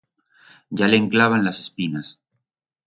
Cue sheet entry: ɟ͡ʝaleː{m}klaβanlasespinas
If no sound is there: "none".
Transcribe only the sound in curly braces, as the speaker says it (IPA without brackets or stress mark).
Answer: ŋ